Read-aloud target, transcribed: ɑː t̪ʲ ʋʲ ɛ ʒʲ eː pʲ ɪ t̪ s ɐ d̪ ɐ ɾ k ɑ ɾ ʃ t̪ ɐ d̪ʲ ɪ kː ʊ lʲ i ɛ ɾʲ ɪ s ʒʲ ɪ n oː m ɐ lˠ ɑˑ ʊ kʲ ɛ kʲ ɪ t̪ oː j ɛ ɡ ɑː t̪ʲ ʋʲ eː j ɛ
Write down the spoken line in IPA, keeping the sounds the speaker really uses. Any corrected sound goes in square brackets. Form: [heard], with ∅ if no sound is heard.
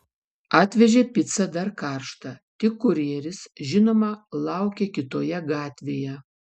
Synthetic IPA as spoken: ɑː t̪ʲ ʋʲ ɛ ʒʲ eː pʲ ɪ t̪ s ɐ d̪ ɐ ɾ k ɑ ɾ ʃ t̪ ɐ [t̪ʲ] ɪ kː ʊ [ɾʲ] i ɛ ɾʲ ɪ s ʒʲ ɪ n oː m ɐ lˠ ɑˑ ʊ kʲ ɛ kʲ ɪ t̪ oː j ɛ ɡ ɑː t̪ʲ ʋʲ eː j ɛ